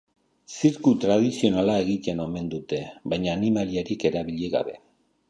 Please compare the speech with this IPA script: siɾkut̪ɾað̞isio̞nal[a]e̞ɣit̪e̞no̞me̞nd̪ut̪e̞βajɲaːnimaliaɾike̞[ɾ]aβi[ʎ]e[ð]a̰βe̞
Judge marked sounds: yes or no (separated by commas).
yes, yes, yes, no